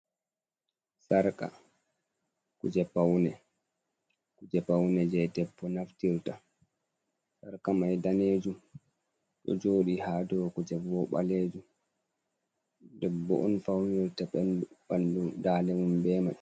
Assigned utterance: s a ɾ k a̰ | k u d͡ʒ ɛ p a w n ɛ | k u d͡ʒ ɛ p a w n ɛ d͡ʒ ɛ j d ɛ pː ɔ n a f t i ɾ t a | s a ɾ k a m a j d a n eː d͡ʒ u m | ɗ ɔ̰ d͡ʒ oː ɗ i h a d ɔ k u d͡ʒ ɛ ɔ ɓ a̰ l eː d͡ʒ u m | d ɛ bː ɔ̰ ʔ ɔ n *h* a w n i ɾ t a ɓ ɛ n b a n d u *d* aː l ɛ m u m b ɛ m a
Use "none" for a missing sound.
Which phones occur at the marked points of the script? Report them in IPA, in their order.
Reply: f, d

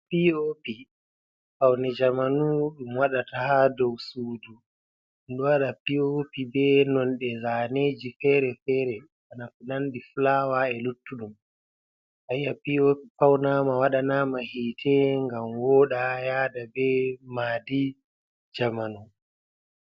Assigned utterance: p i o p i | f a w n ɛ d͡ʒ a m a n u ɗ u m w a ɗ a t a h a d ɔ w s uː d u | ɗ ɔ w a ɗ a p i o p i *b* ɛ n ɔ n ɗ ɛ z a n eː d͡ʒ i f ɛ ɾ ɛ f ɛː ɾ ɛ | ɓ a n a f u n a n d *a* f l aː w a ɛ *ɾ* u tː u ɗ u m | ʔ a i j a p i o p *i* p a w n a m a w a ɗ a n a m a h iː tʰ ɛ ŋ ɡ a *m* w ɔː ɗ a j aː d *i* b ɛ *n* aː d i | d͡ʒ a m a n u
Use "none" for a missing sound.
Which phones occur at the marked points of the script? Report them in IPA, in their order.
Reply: b, i, l, i, m, a, m

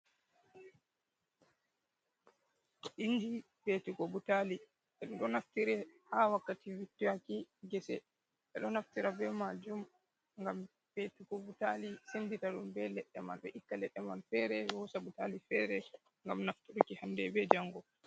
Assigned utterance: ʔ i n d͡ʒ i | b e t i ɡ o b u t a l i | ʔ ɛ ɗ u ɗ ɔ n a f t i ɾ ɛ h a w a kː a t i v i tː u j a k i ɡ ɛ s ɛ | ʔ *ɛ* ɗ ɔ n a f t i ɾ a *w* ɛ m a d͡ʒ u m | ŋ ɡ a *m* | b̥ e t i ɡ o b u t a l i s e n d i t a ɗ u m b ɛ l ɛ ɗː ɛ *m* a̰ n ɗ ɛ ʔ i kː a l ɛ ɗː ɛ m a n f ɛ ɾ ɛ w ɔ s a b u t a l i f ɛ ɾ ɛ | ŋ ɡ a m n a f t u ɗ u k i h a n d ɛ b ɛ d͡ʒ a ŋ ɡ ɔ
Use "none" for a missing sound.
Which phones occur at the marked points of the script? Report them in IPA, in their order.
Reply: ɛ, b, m, m

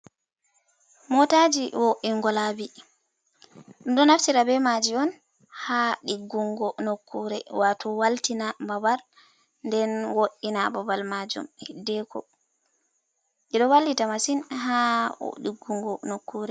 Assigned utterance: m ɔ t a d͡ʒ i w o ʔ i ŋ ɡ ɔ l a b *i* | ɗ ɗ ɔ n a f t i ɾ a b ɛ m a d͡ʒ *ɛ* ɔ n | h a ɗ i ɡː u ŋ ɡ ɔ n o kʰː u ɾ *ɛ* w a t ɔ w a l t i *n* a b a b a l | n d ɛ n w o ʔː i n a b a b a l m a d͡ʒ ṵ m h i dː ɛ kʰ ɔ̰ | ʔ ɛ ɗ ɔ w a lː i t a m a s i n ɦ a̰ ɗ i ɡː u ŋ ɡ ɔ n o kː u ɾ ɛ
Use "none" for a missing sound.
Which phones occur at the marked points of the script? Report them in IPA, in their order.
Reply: i, i, ɛ, n

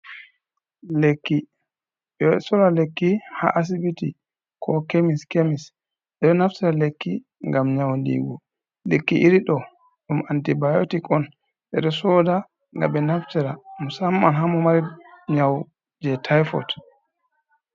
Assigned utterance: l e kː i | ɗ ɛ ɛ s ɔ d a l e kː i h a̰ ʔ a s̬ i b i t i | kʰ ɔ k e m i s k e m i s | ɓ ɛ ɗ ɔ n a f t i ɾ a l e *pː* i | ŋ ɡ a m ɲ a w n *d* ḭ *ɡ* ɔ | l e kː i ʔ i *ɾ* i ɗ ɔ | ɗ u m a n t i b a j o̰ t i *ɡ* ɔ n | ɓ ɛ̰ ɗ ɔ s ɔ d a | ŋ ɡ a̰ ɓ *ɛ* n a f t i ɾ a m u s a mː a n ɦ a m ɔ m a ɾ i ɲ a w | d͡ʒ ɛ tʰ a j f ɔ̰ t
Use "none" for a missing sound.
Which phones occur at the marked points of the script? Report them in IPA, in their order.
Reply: kː, d, ɡ, ɾ, k, ɛ

